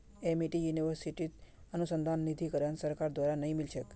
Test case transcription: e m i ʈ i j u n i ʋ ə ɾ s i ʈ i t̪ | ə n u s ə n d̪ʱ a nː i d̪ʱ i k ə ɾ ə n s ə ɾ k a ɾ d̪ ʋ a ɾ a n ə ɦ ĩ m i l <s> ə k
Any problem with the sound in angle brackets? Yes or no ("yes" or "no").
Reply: yes